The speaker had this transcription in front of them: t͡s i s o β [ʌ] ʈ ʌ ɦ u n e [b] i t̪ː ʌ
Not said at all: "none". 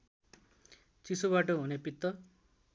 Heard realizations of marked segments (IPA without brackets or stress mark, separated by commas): a, p